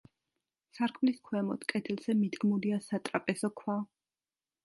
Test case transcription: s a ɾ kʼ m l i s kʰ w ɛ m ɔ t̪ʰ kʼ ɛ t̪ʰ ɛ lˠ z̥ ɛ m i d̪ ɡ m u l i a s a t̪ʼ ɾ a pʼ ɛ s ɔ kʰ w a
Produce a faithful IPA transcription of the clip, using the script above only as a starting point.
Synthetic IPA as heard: s a ɾ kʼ m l i s kʰ w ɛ m ɔ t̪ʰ kʼ ɛ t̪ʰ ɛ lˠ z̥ ɛ m i d̪ ɡ m u l i a s a t̪ʼ ɾ a pʼ ɛ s ɔ kʰ w a